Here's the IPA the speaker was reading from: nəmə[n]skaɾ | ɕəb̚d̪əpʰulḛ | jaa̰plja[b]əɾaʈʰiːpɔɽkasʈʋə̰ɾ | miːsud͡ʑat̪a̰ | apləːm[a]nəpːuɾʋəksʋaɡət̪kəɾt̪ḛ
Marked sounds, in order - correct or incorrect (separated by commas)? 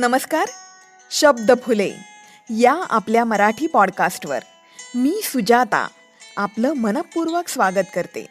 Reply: incorrect, incorrect, incorrect